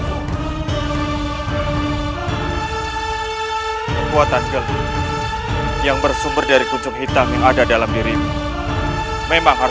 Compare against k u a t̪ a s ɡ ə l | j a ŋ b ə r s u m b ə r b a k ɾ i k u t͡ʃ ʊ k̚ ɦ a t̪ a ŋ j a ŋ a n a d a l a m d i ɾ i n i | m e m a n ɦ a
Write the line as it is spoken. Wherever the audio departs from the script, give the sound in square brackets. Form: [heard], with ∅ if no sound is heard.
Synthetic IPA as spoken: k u a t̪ a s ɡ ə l | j a ŋ b ə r s u m b ə r [d] a [∅] ɾ i k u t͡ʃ ʊ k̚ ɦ [i] t̪ a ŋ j a ŋ a [d] a d a l a m d i ɾ i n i | m e m a [ŋ] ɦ a

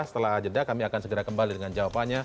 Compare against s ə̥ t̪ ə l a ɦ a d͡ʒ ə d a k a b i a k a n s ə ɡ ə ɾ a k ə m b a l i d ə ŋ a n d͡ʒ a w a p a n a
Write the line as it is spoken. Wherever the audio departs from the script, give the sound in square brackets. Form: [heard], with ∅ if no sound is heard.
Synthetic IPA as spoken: s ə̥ t̪ ə l a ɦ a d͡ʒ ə d a k a [m] i a k a n s ə ɡ ə ɾ a k ə m b a l i d ə ŋ a n d͡ʒ a w a p a [ɲ] a

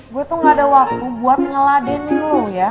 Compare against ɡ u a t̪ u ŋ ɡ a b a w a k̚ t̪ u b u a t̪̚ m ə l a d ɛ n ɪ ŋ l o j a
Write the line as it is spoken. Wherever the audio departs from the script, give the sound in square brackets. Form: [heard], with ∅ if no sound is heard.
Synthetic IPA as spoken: ɡ u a t̪ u ŋ ɡ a [d] a w a k̚ t̪ u b u a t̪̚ [ŋ] ə l a d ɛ n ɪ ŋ l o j a

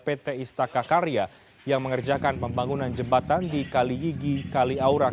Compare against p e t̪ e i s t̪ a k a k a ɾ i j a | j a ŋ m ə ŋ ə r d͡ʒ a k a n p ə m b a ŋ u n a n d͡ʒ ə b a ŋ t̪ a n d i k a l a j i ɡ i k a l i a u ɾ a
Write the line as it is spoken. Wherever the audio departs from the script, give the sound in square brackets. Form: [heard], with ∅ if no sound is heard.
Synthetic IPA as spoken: p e t̪ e i s t̪ a k a k a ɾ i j a | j a ŋ m ə ŋ ə r d͡ʒ a k a n p ə m b a ŋ u n a n d͡ʒ ə b a [∅] t̪ a n d i k a l [i] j i ɡ i k a l i a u ɾ a

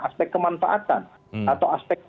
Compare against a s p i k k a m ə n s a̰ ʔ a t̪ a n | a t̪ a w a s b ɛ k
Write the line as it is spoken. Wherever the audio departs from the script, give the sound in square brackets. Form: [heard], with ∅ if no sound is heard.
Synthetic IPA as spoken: a s p [ɛ] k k [ə] m [a] n [f] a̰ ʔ a t̪ a n | a t̪ a w a s [p] ɛ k

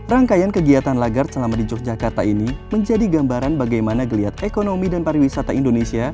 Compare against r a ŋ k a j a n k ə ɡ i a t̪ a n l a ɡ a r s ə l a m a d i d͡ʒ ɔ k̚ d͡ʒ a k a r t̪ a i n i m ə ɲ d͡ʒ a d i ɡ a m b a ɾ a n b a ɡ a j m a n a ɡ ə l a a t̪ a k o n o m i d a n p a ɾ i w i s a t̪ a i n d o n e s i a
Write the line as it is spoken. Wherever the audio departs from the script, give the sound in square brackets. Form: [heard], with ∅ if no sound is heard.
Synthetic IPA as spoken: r a ŋ k a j a n k ə ɡ i a t̪ a n l a ɡ a r s ə l a m a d i d͡ʒ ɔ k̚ d͡ʒ a k a r t̪ a i n i m ə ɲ d͡ʒ a d i ɡ a m b a ɾ a n b a ɡ a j m a n a ɡ ə l [i] a t̪ [e] k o n o m i d a n p a ɾ i w i s a t̪ a i n d o n e s i a

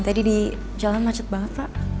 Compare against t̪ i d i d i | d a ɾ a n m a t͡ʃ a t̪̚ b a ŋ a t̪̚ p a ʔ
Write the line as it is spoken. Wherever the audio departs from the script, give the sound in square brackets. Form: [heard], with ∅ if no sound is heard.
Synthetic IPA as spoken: t̪ [a] d i d i | [d͡ʒ] a [l] a n m a t͡ʃ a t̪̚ b a ŋ [ə] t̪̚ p a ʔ

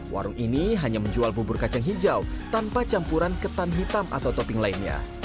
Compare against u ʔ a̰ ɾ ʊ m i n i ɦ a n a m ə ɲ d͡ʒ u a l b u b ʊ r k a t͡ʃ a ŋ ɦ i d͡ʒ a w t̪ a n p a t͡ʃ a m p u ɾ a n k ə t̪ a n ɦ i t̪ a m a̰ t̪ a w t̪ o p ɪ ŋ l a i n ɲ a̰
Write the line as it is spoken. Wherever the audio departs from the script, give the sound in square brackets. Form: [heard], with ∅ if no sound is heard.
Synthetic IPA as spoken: [w] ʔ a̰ ɾ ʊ [ŋ] i n i ɦ a [ɲ] a m ə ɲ d͡ʒ u a l b u b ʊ r k a t͡ʃ a ŋ ɦ i d͡ʒ a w t̪ a n p a t͡ʃ a m p u ɾ a n k ə t̪ a n ɦ i t̪ a m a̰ t̪ a w t̪ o p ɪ ŋ l a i n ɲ a̰

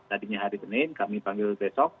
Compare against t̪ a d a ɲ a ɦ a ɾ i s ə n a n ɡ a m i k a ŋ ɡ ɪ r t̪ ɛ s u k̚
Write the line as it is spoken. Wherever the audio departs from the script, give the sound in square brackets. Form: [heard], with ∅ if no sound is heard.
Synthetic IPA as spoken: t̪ a d [i] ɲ a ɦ a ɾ i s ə n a n [k] a m i [p] a ŋ ɡ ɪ [l] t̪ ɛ s [ɔ] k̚

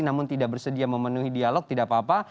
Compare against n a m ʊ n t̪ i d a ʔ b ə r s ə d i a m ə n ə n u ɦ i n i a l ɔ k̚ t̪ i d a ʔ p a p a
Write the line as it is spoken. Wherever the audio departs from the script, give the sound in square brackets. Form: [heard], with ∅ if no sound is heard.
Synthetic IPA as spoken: n a m ʊ n t̪ i d a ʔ b ə r s ə d i a m ə [m] ə n u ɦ i [d] i a l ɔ k̚ t̪ i d a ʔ p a p a

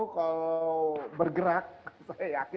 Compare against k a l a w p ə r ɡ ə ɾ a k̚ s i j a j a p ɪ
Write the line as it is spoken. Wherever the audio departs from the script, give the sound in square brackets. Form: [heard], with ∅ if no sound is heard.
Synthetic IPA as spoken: k a l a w [b] ə r ɡ ə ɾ a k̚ s [a] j a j a [k] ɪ

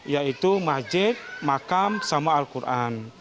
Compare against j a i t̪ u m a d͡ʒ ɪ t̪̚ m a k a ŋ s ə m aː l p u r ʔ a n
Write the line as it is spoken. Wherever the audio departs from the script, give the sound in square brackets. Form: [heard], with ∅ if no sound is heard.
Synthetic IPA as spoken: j a i t̪ u m a d͡ʒ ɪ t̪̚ m a k a [m] s [a] m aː l [k] u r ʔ a n

